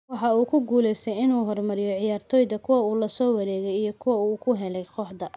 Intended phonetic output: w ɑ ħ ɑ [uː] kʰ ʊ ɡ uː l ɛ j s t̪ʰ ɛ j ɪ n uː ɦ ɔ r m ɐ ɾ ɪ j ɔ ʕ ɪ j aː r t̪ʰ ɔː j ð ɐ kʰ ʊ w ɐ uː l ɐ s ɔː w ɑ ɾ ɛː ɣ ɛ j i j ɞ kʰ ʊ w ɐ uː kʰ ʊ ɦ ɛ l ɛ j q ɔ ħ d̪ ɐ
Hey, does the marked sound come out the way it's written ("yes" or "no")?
yes